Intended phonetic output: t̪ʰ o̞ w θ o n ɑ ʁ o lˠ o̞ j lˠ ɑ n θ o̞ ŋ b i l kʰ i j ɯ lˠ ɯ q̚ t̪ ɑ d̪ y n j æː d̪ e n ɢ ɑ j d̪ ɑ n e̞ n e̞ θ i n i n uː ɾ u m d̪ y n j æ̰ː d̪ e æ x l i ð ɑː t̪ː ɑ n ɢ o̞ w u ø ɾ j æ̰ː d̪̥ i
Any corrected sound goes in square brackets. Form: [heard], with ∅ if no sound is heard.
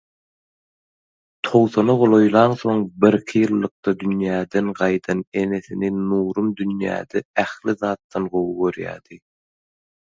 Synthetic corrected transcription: t̪ʰ o̞ w θ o n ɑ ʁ o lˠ o̞ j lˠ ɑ n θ o̞ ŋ b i [ɾ] kʰ i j ɯ [lˠː] ɯ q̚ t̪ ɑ d̪ y n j æː d̪ e n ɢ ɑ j d̪ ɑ n e̞ n e̞ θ i n i n uː ɾ u m d̪ y n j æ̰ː d̪ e æ x l i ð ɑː t̪ː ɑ n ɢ o̞ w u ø ɾ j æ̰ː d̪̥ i